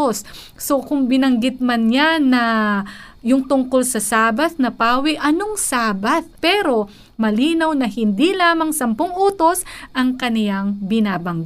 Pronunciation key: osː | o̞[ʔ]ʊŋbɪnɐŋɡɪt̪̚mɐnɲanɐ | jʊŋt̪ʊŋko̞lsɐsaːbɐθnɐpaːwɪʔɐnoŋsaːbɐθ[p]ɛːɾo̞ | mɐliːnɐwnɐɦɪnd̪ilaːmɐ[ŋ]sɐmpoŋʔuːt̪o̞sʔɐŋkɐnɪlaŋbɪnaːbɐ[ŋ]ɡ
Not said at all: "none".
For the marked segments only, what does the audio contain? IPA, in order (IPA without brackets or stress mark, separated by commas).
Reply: k, p, ŋ, ŋ